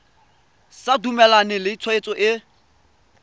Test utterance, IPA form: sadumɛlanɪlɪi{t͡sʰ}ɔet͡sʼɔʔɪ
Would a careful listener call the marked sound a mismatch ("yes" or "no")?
no